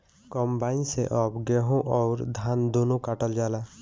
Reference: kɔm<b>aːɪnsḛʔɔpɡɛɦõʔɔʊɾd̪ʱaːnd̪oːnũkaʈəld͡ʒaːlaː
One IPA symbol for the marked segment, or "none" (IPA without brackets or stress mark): b